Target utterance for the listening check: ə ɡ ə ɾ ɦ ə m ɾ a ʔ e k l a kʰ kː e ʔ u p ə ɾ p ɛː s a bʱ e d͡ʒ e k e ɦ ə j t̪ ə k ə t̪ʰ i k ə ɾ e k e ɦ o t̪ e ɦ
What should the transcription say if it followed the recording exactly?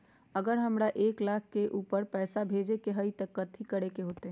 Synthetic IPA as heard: ə ɡ ə ɾ ɦ ə m ɾ a ʔ e k l a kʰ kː e ʔ u p ə ɾ p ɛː s a bʱ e d͡ʒ e k e ɦ ə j t̪ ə k ə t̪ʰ i k ə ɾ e k e ɦ o t̪ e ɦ